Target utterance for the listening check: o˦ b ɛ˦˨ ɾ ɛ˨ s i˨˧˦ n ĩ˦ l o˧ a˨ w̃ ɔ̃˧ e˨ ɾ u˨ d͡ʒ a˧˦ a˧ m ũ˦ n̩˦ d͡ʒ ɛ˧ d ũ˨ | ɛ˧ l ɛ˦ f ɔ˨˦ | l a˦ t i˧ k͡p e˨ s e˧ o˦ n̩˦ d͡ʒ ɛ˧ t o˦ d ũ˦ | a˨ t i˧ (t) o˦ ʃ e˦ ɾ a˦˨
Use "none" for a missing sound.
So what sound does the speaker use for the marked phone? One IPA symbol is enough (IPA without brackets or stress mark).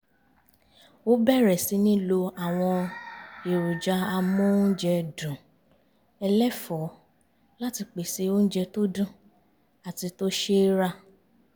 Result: t